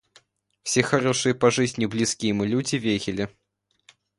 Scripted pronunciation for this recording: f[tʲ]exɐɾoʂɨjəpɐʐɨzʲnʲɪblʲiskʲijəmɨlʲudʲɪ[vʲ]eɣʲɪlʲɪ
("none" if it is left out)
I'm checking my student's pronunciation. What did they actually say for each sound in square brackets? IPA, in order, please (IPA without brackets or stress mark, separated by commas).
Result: sʲ, vʲ